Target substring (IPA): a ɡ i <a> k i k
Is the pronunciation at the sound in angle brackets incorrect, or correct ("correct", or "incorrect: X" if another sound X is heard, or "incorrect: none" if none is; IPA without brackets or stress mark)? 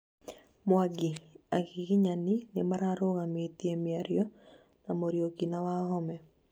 correct